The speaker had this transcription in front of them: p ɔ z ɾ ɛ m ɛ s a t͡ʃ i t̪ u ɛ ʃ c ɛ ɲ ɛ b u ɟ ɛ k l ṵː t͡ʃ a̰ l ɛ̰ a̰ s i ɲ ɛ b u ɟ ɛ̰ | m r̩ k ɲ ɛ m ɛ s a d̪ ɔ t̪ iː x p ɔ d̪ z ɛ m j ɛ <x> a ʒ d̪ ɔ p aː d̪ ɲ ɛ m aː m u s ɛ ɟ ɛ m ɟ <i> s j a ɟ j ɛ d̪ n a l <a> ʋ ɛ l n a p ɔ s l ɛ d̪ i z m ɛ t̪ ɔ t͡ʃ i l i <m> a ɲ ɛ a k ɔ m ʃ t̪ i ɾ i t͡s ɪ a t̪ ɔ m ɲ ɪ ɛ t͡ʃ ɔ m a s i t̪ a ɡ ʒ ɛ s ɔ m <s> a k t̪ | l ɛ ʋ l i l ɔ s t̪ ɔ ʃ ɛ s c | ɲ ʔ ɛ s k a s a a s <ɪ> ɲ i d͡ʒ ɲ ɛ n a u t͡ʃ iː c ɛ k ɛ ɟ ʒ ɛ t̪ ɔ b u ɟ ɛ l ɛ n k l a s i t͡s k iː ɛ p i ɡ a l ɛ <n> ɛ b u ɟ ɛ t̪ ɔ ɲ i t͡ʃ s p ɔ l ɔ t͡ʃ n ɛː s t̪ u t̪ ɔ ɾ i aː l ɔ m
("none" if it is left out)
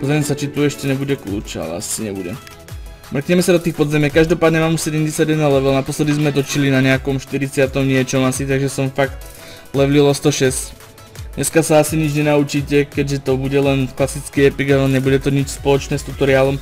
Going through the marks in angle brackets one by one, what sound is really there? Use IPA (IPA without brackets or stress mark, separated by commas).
k, ɛ, ɛ, n, f, i, ɲ